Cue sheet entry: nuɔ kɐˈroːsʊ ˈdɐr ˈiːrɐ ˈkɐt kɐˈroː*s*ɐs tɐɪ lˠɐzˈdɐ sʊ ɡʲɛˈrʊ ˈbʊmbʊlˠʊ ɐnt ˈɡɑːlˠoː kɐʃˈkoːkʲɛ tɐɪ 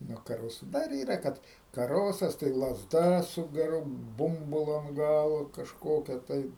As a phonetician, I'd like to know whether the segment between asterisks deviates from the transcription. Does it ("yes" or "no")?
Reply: no